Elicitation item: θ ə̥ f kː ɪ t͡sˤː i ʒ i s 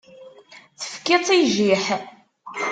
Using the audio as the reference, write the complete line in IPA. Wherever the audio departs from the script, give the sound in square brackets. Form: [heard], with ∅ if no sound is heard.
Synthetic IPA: θ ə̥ f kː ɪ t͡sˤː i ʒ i [ħ]